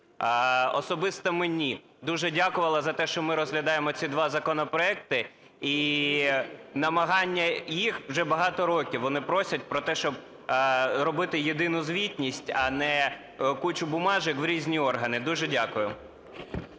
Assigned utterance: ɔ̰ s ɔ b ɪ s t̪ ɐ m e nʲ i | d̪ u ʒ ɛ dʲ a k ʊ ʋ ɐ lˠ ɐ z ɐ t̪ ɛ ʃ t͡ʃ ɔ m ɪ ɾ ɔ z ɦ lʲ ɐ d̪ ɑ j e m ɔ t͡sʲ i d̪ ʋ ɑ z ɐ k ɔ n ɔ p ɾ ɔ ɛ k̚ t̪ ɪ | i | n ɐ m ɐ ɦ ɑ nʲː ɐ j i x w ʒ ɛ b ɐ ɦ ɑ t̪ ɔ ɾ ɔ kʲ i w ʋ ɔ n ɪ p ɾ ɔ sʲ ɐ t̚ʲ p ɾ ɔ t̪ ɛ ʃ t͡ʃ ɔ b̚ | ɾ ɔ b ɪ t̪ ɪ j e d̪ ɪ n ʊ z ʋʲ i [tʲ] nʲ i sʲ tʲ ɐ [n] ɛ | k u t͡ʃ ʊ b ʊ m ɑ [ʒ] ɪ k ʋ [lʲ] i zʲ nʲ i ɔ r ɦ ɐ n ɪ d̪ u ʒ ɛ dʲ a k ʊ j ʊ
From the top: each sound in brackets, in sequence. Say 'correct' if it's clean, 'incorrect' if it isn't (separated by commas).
correct, correct, correct, incorrect